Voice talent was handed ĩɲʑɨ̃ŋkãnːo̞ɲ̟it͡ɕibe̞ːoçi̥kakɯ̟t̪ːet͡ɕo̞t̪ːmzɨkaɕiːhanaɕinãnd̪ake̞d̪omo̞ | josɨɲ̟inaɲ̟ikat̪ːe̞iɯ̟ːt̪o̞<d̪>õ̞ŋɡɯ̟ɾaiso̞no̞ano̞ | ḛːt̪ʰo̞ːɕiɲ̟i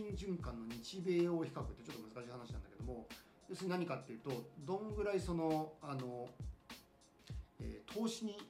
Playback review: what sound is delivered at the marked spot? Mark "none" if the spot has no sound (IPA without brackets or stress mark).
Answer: d̪